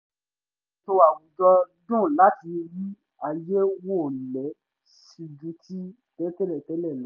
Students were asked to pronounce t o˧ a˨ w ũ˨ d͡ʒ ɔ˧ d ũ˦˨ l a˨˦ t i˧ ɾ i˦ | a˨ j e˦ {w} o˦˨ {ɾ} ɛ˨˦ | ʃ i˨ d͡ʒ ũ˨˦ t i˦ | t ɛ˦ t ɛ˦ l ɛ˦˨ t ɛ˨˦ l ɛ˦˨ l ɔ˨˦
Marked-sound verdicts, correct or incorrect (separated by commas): correct, incorrect